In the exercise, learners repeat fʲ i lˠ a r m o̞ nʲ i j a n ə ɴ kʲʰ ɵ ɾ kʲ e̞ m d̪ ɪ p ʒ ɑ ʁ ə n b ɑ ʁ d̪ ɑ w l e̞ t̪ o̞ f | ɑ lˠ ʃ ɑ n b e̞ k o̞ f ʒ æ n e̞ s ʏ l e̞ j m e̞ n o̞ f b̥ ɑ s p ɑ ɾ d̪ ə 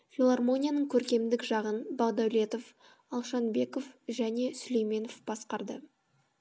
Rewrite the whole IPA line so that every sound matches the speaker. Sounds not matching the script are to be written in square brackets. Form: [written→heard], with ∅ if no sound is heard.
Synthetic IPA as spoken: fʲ i lˠ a r m o̞ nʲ i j a n ə ɴ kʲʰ ɵ ɾ kʲ e̞ m d̪ ɪ [p→k] ʒ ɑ ʁ ə n b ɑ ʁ d̪ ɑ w l e̞ t̪ o̞ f | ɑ lˠ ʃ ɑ n b e̞ k o̞ f ʒ æ n e̞ s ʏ l e̞ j m e̞ n o̞ f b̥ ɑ s [p→q] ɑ ɾ d̪ ə